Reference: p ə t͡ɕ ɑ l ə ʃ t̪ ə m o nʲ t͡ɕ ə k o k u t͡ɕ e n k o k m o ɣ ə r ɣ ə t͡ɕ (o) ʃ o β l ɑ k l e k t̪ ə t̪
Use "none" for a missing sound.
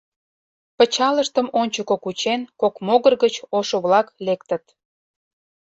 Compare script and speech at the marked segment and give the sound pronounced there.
o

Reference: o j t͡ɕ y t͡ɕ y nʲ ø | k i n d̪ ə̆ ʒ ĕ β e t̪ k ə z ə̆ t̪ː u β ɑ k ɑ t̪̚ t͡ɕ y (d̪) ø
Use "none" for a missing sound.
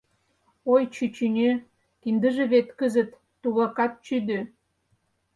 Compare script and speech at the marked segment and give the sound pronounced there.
d̪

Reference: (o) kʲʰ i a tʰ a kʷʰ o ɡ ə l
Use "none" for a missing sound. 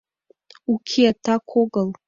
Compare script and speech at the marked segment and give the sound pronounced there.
u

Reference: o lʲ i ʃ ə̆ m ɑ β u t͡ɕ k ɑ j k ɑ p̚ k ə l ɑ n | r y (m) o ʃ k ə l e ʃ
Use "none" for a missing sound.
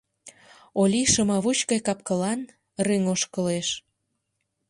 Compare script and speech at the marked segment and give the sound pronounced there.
ŋ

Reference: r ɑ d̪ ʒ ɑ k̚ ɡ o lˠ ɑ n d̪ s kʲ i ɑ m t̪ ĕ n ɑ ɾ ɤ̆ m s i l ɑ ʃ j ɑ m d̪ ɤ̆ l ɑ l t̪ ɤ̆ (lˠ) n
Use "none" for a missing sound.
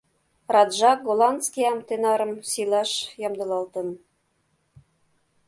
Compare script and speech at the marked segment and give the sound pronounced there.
none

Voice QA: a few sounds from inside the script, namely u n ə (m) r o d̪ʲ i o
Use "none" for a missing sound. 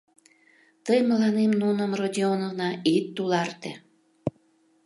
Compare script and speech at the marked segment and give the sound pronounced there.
m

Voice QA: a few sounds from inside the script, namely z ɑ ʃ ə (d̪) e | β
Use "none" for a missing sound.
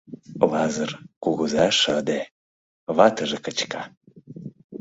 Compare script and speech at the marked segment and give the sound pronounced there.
d̪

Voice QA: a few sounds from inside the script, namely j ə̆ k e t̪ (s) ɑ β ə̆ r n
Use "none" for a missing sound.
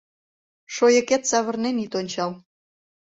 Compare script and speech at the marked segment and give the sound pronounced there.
s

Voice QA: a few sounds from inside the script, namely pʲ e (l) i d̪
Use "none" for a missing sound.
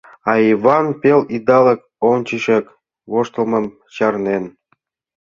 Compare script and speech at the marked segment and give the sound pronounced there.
l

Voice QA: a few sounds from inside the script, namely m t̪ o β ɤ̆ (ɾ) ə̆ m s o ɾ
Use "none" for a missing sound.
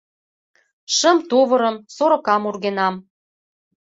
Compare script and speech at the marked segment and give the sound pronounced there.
ɾ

